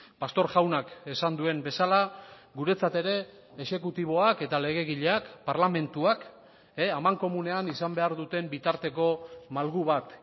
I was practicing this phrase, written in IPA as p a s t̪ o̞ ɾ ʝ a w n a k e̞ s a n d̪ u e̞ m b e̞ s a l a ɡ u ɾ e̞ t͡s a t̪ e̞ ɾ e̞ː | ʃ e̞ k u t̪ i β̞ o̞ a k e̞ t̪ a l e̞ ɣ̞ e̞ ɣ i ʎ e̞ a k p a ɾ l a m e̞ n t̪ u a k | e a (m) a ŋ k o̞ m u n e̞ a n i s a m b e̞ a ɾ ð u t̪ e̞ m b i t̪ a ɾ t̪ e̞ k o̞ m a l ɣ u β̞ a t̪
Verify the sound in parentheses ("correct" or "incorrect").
correct